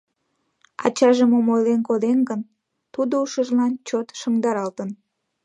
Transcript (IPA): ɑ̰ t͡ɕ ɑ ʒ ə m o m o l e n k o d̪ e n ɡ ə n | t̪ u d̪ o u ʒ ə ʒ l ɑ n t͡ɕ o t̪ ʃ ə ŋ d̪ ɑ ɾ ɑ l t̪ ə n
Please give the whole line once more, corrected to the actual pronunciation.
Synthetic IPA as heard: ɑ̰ t͡ɕ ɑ ʒ ə m o m o l e n k o d̪ e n ɡ ə n | t̪ u d̪ o u ʃ ə ʒ l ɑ n t͡ɕ o t̪ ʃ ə ŋ d̪ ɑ ɾ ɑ l t̪ ə n